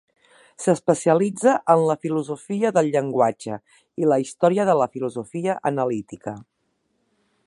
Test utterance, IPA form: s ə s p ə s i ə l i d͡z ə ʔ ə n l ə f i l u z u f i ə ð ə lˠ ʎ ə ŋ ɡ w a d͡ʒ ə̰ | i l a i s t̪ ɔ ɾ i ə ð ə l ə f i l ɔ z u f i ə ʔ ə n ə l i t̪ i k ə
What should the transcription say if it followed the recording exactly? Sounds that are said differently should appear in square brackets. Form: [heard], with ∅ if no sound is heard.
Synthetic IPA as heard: s ə s p ə s i ə l i d͡z ə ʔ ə n l ə f i l u z u f i ə ð ə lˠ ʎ ə ŋ ɡ w a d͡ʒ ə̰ | i l [ə] i s t̪ ɔ ɾ i ə ð ə l ə f i l [u] z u f i ə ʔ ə n ə l i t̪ i k ə